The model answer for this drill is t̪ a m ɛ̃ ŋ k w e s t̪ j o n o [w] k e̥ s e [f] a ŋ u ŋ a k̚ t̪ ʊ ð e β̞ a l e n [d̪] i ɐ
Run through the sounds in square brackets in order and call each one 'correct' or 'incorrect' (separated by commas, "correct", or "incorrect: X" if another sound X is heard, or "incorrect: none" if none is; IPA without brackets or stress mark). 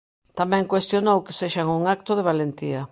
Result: correct, incorrect: ʃ, incorrect: t̪